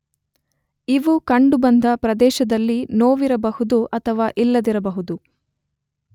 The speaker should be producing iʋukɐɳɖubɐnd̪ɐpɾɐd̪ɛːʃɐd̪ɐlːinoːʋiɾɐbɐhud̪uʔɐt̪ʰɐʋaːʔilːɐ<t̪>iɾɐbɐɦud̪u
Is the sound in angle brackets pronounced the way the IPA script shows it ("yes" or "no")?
no